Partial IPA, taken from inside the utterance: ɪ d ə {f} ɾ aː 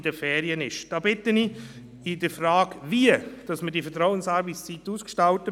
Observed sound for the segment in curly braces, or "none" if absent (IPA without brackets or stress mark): f